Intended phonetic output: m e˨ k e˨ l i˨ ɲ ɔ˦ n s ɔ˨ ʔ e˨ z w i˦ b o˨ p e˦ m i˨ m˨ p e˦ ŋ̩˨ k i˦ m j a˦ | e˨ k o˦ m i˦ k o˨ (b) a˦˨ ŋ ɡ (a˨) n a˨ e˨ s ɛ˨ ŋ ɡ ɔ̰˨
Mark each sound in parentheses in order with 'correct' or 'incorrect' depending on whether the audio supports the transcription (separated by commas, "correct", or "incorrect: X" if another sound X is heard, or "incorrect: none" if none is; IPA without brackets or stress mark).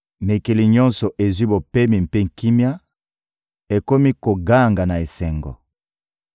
incorrect: ɡ, correct